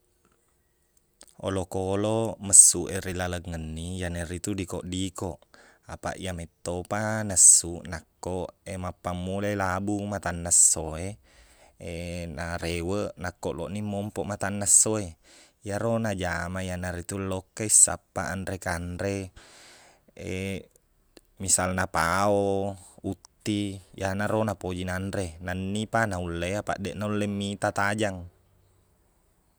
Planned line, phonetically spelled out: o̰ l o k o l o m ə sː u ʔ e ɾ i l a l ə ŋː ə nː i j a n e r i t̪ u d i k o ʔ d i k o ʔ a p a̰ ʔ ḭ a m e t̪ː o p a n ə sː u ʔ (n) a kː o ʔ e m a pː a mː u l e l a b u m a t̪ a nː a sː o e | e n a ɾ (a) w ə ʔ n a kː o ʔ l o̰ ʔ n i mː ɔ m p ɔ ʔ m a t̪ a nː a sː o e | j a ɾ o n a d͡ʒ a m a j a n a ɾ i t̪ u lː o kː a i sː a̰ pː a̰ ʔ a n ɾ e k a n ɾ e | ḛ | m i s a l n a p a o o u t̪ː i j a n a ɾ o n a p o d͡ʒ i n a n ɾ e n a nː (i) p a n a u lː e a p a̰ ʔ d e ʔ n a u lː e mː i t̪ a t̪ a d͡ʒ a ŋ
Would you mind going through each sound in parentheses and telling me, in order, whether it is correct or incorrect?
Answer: correct, incorrect: e, correct

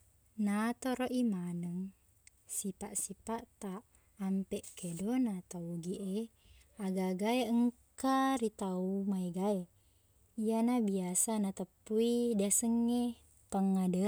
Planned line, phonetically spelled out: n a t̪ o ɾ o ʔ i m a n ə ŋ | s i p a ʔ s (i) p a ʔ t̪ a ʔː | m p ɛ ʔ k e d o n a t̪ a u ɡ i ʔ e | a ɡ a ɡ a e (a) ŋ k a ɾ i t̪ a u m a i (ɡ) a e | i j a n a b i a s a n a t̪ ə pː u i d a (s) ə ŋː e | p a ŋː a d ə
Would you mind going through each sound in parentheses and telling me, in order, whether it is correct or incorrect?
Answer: correct, incorrect: ə, correct, correct

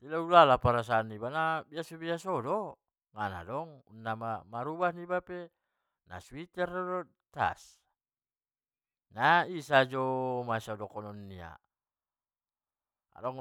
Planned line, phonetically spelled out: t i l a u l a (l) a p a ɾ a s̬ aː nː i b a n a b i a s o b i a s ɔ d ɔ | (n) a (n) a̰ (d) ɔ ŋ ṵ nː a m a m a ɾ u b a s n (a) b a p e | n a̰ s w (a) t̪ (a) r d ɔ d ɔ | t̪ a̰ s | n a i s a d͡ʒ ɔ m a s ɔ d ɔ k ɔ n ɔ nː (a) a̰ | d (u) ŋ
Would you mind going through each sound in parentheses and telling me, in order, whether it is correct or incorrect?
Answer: correct, incorrect: ŋ, correct, correct, incorrect: i, incorrect: i, incorrect: ɛ, incorrect: i, incorrect: ɔ

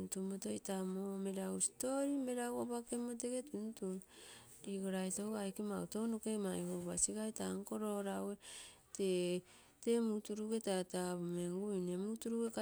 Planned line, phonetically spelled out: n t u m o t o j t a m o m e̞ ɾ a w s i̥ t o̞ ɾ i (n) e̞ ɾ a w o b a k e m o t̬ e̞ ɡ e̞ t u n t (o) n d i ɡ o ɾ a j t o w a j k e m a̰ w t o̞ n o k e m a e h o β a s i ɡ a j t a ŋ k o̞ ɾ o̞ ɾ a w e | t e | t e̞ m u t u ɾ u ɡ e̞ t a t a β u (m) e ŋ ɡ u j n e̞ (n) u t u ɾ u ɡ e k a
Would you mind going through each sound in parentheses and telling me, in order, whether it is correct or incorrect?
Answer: incorrect: m, incorrect: u, correct, incorrect: m

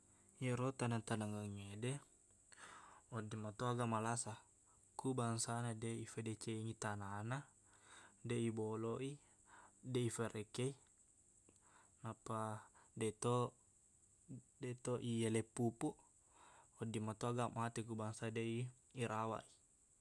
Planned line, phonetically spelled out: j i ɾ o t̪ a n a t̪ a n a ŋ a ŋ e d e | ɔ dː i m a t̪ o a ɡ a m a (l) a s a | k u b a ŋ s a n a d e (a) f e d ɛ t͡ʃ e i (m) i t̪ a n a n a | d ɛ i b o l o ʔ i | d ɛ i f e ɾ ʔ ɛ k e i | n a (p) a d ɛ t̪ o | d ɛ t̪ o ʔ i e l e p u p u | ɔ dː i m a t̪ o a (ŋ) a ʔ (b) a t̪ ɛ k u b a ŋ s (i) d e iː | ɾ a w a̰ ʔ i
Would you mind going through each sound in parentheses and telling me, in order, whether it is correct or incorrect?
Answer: correct, incorrect: i, incorrect: ŋ, correct, incorrect: ɡ, incorrect: m, incorrect: a

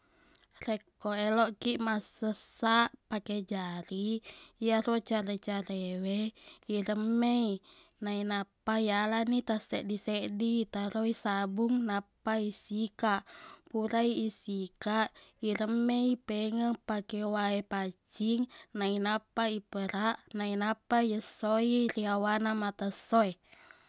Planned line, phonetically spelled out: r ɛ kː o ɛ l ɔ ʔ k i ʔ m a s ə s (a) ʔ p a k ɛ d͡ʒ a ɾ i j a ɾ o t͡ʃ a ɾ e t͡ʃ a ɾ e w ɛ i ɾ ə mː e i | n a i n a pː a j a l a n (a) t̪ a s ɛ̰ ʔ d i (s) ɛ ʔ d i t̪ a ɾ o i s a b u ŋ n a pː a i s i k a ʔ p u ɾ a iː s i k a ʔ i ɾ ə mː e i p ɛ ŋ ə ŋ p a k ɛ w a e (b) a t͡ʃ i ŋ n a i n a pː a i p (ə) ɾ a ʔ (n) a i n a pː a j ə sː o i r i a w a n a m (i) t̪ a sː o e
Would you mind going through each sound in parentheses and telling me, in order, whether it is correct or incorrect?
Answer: correct, incorrect: i, correct, incorrect: p, correct, correct, incorrect: a

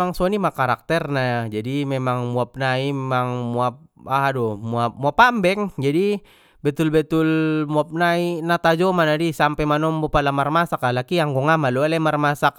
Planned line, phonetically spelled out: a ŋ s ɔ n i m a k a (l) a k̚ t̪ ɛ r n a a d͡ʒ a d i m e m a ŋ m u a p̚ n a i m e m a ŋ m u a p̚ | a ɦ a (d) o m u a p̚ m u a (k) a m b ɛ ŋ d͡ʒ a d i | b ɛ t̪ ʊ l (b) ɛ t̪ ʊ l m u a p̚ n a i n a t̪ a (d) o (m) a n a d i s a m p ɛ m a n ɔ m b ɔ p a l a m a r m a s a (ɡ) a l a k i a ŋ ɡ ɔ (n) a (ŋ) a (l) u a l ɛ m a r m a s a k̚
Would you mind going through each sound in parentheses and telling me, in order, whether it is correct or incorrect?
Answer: incorrect: ɾ, correct, incorrect: p, correct, incorrect: d͡ʒ, correct, incorrect: k, incorrect: ŋ, incorrect: m, correct

